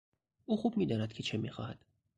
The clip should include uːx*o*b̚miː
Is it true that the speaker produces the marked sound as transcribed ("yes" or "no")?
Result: no